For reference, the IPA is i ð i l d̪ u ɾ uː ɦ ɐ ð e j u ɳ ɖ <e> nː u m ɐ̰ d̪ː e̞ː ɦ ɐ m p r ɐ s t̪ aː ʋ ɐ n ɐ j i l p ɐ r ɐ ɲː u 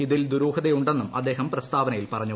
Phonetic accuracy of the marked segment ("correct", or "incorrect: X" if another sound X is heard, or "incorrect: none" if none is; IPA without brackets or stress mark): correct